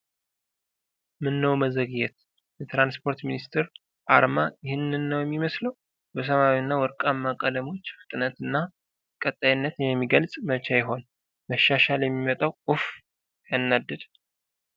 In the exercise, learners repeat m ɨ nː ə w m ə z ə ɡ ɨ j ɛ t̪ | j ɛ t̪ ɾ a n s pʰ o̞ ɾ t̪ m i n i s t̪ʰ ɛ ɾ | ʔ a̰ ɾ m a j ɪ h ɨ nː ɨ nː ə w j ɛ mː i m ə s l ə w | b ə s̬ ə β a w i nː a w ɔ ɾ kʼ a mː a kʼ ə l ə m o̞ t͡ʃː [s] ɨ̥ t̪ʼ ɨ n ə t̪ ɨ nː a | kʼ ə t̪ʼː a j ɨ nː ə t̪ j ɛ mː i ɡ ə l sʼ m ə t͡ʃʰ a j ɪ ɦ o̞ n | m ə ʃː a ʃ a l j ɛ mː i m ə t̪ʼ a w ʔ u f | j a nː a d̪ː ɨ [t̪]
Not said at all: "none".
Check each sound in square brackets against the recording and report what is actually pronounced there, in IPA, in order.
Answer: f, d̪

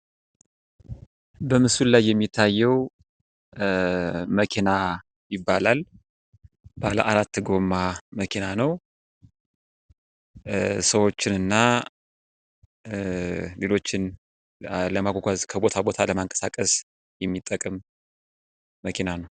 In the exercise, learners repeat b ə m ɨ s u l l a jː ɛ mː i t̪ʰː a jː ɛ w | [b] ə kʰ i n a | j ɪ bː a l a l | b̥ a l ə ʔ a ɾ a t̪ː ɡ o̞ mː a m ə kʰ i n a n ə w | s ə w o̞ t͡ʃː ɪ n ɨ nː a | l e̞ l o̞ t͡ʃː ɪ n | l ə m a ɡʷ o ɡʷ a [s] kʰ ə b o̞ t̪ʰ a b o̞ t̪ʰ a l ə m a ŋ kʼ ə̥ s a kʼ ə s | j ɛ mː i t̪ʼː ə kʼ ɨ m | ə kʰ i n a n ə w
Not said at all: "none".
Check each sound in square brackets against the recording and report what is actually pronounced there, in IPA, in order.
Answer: m, z

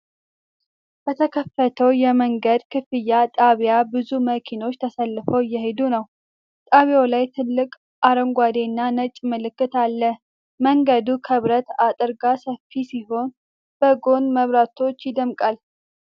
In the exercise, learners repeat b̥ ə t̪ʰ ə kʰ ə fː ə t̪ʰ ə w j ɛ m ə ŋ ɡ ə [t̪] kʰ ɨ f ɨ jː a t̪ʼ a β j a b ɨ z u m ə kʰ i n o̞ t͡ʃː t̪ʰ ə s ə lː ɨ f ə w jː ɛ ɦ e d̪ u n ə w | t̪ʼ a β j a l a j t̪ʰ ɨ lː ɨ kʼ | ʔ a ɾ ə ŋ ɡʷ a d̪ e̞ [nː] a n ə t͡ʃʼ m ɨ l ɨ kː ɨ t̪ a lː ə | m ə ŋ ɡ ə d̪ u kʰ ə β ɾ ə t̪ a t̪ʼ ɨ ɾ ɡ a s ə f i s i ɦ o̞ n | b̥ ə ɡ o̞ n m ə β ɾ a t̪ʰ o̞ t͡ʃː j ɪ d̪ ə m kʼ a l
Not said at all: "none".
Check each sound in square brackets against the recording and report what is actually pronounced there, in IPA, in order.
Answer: d̪, nː

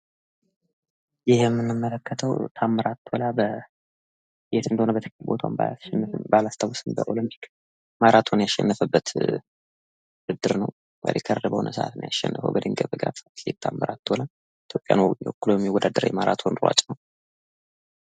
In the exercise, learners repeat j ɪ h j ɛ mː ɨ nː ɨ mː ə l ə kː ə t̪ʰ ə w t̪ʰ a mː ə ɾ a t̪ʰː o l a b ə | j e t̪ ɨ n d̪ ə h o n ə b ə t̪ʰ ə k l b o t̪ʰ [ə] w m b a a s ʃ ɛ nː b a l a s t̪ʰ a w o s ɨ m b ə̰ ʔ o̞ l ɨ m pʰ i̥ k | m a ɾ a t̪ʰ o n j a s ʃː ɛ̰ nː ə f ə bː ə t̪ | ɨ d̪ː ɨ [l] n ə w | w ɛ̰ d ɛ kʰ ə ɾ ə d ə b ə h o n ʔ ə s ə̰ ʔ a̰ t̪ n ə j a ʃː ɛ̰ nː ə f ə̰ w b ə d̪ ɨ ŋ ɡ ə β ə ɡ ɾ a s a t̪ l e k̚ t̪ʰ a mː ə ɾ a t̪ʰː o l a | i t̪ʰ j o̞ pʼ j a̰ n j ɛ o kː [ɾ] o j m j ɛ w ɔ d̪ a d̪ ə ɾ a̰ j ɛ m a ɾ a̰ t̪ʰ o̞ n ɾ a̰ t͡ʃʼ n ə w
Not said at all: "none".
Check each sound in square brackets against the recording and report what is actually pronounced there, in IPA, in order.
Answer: a, ɾ, l

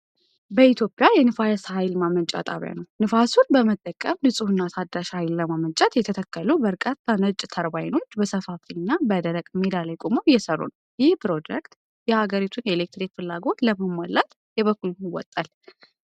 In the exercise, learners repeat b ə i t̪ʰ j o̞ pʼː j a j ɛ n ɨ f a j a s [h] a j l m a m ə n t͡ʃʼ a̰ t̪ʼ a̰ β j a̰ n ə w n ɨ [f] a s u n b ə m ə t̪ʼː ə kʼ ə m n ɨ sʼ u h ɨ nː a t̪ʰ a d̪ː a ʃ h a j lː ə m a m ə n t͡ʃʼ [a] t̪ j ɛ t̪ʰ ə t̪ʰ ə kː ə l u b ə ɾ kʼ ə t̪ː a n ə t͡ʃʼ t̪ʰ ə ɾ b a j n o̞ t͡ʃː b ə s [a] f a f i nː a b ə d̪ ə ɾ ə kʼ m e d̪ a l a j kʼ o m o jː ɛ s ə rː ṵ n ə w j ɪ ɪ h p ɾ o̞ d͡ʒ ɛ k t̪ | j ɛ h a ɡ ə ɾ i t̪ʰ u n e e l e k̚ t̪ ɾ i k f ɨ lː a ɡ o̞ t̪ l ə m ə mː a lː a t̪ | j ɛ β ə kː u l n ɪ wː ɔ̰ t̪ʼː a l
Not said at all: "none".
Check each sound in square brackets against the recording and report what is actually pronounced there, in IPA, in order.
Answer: h, f, a, ə

